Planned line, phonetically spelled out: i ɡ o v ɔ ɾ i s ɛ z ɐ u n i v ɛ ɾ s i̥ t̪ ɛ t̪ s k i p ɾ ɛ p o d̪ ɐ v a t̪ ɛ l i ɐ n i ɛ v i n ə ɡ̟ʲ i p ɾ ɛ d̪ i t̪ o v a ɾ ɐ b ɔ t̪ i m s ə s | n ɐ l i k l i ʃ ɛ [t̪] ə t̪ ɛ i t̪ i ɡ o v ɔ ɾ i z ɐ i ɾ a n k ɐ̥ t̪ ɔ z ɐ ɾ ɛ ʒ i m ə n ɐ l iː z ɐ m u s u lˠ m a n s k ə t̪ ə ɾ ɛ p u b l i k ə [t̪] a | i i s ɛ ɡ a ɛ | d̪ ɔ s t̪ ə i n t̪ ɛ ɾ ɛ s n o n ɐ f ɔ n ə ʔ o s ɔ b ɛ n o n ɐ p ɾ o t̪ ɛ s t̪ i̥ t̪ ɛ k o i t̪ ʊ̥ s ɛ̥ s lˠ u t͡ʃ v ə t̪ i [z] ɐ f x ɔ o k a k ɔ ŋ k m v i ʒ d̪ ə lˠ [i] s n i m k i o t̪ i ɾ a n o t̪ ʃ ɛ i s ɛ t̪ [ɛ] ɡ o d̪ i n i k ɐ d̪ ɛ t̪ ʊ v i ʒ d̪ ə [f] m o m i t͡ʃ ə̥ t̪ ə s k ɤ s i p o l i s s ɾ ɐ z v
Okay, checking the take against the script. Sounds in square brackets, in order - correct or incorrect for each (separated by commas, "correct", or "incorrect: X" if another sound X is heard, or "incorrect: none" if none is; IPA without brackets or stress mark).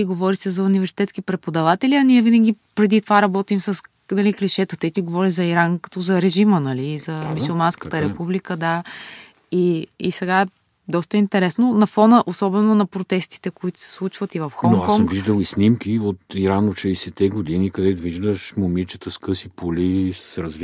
correct, incorrect: d̪, incorrect: v, correct, correct, incorrect: ʃ